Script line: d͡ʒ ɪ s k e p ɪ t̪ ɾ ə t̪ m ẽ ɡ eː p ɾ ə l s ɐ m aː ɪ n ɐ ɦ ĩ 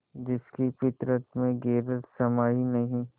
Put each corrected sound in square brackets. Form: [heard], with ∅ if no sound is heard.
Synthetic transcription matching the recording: d͡ʒ ɪ s k [i] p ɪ t̪ ɾ ə t̪ m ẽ ɡ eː [∅] ɾ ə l s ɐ m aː [i] n ɐ ɦ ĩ